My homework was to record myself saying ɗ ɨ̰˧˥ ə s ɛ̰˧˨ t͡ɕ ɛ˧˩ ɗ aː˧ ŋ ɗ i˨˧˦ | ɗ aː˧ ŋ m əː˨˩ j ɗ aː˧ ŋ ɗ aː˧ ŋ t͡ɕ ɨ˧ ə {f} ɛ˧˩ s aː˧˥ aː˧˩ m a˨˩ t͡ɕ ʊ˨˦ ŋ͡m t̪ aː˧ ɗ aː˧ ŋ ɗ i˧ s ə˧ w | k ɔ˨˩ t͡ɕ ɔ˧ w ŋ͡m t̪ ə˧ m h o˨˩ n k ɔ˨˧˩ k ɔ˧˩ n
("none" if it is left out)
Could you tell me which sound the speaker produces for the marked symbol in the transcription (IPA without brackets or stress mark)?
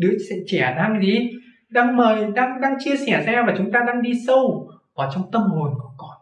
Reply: s